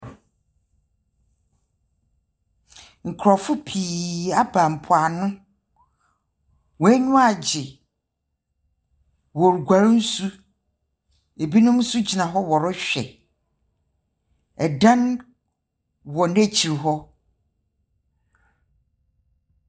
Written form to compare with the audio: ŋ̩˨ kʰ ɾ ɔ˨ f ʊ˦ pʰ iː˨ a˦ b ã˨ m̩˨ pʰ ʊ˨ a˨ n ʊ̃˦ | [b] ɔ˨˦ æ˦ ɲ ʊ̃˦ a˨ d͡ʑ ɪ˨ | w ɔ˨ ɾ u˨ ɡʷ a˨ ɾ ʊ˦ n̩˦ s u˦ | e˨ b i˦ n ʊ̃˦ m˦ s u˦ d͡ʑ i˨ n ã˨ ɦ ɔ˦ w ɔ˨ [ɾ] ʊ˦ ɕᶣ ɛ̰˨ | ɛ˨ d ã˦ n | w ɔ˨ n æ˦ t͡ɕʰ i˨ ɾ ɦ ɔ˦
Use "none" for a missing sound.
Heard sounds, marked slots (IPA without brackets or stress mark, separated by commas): w, ɾ